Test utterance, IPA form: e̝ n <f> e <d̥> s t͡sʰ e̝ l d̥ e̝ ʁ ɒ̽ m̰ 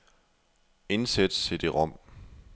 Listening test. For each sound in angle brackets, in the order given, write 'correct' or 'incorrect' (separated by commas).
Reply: incorrect, correct